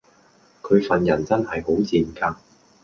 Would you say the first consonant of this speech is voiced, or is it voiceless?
voiceless